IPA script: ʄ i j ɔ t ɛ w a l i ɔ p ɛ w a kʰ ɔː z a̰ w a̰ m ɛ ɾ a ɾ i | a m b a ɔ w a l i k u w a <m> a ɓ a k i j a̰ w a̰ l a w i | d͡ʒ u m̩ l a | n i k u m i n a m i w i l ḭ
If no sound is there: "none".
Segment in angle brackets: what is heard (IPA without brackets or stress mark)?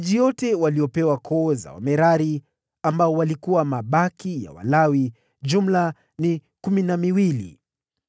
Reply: m